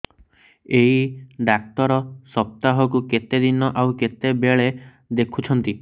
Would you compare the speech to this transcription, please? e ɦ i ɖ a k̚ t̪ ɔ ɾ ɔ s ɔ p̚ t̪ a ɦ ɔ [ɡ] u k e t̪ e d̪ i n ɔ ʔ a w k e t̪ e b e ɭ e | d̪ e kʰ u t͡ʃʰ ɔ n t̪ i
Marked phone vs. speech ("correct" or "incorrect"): incorrect